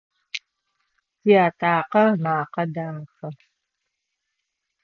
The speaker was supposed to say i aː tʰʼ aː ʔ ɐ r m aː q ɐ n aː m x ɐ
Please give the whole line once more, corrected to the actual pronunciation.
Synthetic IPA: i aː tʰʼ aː q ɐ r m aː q ɐ d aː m x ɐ